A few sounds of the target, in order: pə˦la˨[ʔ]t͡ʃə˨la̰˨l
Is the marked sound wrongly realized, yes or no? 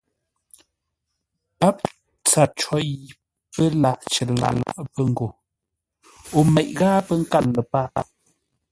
no